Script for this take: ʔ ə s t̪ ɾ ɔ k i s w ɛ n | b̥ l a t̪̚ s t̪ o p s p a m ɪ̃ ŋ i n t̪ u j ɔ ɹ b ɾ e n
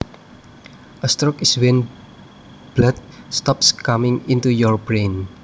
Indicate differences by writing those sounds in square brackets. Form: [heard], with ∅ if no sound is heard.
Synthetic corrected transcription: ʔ ə s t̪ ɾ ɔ k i s w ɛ n | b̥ l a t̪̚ s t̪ [ɔ] p s [k] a m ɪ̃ ŋ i n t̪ u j ɔ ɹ b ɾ e n